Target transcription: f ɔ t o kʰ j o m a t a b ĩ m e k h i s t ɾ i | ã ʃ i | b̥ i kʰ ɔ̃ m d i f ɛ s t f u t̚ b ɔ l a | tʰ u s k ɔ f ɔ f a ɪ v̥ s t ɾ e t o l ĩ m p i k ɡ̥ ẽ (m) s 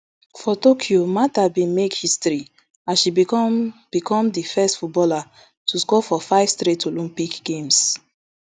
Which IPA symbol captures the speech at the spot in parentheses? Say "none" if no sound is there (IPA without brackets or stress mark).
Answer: m